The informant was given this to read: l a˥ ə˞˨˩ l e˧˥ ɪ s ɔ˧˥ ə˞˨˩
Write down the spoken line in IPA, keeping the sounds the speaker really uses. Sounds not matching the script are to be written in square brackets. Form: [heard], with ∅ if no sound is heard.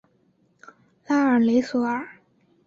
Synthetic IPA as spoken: l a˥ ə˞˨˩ l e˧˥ ɪ s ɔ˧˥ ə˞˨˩